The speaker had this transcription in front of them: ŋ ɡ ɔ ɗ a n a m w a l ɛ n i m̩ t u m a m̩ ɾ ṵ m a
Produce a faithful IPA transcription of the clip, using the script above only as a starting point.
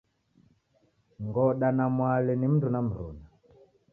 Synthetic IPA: ŋ ɡ ɔ ɗ a n a m w a l ɛ n i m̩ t u n a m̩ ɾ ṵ n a